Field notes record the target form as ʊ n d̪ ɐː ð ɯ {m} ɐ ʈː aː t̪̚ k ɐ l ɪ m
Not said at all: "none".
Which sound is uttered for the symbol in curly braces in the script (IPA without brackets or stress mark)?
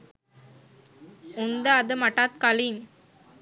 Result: m